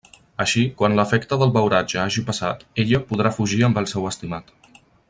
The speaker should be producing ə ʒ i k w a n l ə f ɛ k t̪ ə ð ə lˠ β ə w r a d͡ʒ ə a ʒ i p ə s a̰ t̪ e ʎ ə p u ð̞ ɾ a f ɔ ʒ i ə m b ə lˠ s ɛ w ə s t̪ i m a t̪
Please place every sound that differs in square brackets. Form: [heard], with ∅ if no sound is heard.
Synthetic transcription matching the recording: ə [ʃ] i k w a n l ə f ɛ k t̪ ə ð ə lˠ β ə w [ɾ] a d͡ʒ ə a ʒ i p ə s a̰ t̪ e ʎ ə p u ð̞ ɾ a f [u] ʒ i ə m b ə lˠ s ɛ w ə s t̪ i m a t̪